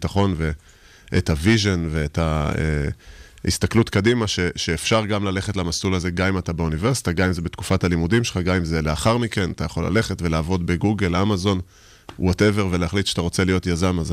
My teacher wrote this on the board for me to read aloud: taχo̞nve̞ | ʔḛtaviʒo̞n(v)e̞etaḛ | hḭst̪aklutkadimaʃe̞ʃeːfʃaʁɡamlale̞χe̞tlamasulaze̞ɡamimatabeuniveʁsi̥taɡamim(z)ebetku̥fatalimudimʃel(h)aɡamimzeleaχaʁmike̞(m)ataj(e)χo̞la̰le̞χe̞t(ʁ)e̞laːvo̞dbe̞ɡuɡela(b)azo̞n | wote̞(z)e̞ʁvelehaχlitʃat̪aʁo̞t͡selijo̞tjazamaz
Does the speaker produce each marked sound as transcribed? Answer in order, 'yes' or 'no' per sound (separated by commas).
yes, yes, no, no, no, no, no, no